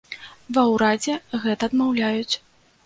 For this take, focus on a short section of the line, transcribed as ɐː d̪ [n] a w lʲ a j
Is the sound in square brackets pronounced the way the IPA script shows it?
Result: no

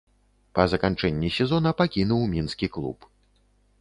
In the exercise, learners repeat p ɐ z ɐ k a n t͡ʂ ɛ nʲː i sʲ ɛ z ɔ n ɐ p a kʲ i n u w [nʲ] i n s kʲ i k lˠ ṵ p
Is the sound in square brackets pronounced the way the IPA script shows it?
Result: no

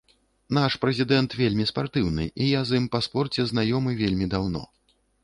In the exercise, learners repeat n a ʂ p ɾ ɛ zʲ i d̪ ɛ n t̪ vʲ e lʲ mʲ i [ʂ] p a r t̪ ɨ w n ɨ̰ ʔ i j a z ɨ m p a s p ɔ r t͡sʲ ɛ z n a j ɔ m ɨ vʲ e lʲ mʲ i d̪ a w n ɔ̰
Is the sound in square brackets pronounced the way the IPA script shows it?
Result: no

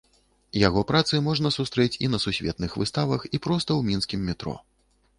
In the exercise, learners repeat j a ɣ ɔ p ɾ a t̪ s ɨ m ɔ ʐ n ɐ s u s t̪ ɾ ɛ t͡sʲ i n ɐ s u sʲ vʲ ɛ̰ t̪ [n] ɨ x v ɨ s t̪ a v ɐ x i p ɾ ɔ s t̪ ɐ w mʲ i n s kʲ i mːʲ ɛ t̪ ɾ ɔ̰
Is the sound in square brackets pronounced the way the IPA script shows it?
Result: yes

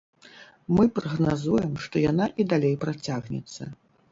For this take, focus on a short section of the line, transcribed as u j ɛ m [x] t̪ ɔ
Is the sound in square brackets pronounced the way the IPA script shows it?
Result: no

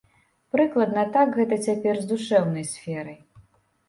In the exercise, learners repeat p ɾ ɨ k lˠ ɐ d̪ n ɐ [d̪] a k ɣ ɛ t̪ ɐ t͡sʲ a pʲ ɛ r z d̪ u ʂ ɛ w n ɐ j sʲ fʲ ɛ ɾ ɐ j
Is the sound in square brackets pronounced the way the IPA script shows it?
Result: no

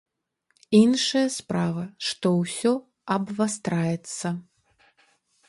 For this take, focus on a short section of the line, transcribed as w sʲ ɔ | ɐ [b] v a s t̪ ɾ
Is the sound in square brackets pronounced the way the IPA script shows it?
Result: yes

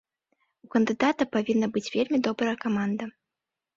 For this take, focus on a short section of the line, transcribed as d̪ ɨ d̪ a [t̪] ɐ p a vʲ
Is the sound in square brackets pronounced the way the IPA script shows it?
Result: yes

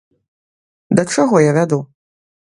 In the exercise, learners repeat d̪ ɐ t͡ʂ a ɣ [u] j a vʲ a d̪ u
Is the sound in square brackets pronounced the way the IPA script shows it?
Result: no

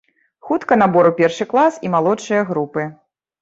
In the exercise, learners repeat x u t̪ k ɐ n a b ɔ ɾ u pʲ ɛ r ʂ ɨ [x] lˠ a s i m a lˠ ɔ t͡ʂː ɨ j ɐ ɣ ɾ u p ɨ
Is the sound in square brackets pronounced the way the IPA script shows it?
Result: no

